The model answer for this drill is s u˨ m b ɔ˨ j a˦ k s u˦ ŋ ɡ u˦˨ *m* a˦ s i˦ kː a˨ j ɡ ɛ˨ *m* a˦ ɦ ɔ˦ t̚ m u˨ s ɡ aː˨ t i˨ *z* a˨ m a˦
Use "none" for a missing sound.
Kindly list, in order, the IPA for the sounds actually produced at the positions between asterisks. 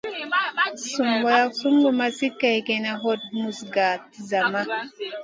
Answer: m, n, z

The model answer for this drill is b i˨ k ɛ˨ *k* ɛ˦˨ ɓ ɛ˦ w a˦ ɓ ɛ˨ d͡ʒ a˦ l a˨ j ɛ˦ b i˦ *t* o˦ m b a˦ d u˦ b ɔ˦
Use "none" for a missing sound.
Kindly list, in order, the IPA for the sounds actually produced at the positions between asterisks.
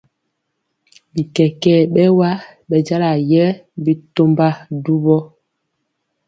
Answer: k, t

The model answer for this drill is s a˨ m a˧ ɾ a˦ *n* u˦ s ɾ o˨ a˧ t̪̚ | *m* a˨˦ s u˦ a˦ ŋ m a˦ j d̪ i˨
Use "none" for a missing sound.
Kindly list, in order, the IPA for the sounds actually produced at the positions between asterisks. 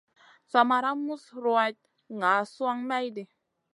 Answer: m, ŋ

